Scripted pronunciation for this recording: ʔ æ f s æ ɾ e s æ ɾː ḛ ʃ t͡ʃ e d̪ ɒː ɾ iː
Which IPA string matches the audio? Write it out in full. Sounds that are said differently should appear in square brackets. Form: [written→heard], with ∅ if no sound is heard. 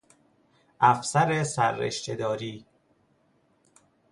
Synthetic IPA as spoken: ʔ æ f s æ ɾ e s æ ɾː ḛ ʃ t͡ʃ e d̪ ɒː ɾ iː